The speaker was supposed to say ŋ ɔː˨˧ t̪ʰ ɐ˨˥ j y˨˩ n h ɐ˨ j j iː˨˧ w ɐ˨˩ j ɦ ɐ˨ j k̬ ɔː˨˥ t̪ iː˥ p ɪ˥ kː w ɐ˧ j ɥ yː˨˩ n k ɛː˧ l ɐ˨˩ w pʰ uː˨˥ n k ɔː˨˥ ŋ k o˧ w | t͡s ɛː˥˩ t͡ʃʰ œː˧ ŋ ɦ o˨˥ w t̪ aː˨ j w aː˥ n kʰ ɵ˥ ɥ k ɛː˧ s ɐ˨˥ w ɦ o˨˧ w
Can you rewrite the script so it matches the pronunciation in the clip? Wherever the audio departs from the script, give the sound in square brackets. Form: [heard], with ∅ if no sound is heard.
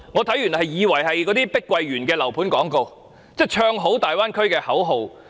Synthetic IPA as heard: ŋ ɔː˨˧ t̪ʰ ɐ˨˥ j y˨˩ n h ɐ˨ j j iː˨˧ w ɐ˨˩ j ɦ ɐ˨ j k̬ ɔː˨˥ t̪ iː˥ p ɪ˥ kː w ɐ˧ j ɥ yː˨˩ n k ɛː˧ l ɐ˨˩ w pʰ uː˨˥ n k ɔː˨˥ ŋ k o˧ w | t͡s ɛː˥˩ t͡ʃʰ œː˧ ŋ ɦ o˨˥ w t̪ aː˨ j w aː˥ n kʰ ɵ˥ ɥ k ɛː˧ [h] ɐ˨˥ w ɦ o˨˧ w